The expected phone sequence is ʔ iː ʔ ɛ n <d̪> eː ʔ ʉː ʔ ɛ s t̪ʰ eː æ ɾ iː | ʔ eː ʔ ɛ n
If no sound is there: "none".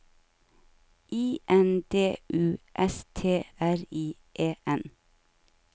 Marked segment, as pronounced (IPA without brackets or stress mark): d̪